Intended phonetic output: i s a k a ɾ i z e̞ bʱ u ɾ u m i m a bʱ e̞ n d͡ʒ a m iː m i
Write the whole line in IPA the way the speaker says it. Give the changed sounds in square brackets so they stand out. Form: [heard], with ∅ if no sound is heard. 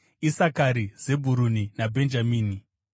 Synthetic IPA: i s a k a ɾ i z e̞ bʱ u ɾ u [n] i [n] a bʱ e̞ n d͡ʒ a m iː [n] i